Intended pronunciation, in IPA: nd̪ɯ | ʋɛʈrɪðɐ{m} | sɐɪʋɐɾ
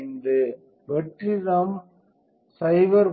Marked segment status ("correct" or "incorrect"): correct